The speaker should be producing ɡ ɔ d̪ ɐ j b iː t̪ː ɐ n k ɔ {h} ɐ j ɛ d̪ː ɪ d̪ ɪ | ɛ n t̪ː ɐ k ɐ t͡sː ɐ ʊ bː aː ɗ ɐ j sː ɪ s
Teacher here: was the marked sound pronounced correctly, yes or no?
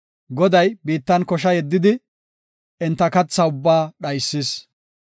no